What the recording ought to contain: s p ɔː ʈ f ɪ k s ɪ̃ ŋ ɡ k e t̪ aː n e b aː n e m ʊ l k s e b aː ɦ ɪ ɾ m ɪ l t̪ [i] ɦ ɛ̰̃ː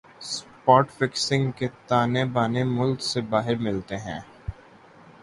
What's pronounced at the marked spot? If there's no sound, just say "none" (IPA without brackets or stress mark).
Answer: e